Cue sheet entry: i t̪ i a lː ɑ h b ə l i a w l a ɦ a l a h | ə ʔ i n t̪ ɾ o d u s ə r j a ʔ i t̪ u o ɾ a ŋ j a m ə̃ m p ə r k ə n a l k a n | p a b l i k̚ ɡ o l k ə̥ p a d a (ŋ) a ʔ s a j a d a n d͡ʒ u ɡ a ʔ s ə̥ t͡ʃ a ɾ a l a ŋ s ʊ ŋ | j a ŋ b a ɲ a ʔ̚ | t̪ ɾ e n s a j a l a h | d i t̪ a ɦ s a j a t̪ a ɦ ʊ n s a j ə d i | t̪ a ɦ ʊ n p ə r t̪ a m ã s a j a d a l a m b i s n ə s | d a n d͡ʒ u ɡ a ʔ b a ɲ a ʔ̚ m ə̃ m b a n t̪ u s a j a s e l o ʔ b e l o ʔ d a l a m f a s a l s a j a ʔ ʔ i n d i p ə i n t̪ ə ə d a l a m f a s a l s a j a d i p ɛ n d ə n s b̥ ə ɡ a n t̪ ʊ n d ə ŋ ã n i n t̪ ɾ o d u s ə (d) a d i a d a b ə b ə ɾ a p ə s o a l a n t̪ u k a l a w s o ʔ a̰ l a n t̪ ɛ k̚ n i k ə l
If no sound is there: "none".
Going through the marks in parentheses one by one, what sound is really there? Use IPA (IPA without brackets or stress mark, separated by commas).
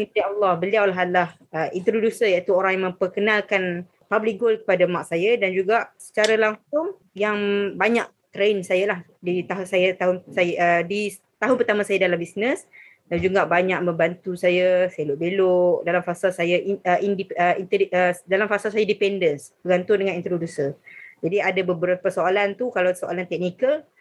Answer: m, d͡ʒ